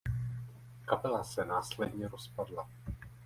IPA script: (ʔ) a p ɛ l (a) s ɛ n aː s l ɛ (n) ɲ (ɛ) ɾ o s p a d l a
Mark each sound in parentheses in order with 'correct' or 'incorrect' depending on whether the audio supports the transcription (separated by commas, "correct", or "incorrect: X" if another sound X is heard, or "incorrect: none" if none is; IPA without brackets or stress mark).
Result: incorrect: k, correct, incorrect: d, correct